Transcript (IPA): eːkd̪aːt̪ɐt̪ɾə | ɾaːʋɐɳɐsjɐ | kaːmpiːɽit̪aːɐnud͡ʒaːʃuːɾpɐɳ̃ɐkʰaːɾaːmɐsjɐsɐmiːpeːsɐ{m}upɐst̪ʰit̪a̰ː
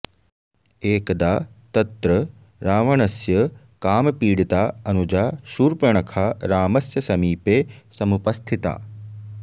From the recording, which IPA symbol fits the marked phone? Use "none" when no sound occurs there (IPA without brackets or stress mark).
m